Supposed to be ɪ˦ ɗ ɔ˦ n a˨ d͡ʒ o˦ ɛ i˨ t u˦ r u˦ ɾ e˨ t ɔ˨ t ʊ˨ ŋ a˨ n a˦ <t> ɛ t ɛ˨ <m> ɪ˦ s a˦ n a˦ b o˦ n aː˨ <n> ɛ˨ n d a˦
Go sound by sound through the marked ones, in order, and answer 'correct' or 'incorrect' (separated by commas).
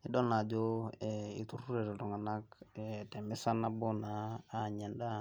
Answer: incorrect, correct, incorrect